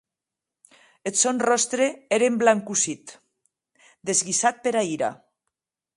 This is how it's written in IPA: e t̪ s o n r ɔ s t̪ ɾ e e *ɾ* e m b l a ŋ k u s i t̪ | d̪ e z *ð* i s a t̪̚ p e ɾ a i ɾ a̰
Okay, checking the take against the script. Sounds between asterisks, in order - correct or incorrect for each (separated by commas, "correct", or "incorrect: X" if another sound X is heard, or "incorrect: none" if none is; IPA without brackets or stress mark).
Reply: correct, incorrect: ɣ